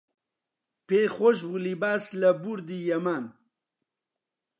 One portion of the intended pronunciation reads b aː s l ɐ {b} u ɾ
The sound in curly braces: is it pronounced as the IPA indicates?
yes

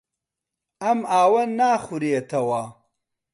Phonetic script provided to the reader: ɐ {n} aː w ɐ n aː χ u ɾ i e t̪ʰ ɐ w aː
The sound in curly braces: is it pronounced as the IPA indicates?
no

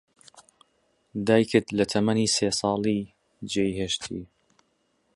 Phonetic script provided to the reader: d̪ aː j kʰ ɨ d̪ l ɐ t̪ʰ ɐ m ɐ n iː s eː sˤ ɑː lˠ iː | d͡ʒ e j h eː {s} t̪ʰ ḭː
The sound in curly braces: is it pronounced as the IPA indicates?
no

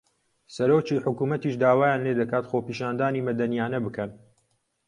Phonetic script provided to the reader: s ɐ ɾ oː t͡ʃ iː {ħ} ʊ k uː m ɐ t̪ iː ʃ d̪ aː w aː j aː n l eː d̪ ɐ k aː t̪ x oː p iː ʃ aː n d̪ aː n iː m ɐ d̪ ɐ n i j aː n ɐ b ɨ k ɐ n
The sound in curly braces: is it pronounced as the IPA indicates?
yes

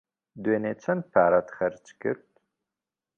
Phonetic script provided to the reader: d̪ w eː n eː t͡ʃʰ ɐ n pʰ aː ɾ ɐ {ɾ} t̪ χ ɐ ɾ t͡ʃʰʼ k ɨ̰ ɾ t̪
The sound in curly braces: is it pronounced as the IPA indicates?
no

